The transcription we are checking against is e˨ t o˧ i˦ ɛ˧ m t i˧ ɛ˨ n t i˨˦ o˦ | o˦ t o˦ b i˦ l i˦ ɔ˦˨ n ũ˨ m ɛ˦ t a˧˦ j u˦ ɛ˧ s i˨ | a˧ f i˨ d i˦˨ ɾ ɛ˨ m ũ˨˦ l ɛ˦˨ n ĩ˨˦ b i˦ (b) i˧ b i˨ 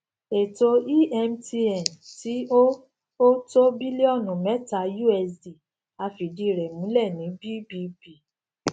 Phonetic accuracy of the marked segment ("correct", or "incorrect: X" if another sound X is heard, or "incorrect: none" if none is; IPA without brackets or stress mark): correct